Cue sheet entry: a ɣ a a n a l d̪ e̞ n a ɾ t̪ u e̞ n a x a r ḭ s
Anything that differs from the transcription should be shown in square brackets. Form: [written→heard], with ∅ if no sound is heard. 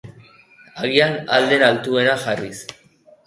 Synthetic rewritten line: a ɣ [a→i] a n a l d̪ e̞ n a [ɾ→l] t̪ u e̞ n a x a r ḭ s